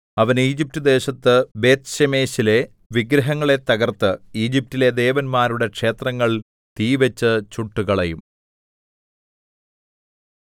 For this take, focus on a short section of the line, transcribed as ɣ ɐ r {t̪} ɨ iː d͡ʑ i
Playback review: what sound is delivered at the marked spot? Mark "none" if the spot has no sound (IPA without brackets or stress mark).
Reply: t̪